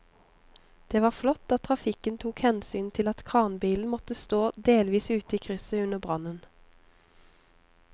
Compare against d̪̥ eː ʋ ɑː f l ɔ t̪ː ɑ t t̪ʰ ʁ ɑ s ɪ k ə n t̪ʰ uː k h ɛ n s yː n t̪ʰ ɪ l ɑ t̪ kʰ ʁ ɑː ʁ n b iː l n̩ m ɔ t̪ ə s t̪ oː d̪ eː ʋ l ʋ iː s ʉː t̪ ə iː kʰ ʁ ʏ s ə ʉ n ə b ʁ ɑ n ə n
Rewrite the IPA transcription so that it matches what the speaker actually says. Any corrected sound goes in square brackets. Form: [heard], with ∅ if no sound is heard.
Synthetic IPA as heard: d̪̥ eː ʋ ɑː f l ɔ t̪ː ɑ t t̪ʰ ʁ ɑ [f] ɪ k ə n t̪ʰ uː k h ɛ n s yː n t̪ʰ ɪ l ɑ t̪ kʰ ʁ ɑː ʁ n b iː l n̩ m ɔ t̪ ə s t̪ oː d̪ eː [∅] l ʋ iː s ʉː t̪ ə iː kʰ ʁ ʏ s ə ʉ n ə b ʁ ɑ n ə n